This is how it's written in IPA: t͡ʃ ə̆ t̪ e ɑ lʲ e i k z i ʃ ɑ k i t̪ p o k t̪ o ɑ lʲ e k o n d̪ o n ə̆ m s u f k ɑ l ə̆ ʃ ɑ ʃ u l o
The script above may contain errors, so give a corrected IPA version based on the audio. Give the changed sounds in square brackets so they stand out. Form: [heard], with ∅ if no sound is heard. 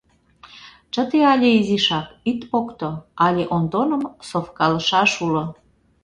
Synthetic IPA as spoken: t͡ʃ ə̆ t̪ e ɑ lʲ e i [∅] z i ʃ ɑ k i t̪ p o k t̪ o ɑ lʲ e [ʔ] o n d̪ o n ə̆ m s [o] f k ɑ l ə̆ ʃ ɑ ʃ u l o